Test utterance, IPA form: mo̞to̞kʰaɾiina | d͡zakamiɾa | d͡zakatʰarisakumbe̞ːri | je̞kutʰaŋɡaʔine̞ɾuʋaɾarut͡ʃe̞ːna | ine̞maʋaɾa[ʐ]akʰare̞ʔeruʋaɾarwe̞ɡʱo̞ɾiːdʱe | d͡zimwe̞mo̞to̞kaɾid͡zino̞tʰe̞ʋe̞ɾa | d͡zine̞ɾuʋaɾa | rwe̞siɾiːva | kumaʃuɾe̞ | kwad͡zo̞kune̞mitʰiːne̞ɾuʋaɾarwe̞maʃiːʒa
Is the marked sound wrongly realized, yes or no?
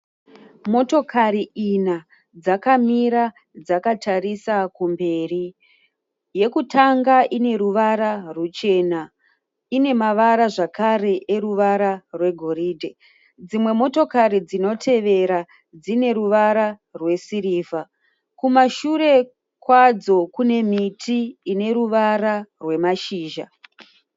no